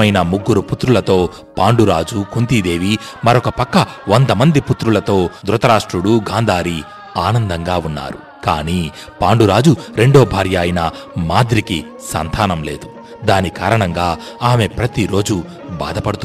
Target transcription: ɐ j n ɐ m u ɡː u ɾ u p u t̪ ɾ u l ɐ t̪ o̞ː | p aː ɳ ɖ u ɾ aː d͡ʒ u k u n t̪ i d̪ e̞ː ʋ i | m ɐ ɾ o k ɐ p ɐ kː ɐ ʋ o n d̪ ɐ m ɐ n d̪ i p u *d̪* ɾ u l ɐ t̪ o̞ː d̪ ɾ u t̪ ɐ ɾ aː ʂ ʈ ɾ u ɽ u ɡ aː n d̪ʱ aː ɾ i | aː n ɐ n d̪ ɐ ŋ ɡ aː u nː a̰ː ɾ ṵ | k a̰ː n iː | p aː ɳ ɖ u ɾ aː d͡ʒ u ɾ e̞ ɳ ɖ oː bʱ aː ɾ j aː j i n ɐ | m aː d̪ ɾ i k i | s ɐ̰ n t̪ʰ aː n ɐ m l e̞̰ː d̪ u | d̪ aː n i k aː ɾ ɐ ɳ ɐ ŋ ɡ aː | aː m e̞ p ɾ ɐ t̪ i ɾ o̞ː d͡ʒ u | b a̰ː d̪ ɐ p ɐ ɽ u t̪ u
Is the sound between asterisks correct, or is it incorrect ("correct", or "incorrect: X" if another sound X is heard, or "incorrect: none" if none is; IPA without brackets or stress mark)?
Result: incorrect: t̪